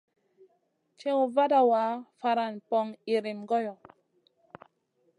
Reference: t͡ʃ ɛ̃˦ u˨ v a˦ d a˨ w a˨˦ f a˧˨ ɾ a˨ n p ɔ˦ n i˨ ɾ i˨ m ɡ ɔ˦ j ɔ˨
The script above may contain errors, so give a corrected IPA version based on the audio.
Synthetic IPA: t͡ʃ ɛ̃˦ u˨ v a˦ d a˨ w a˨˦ f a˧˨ ɾ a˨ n p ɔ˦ ŋ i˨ ɾ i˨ m ɡ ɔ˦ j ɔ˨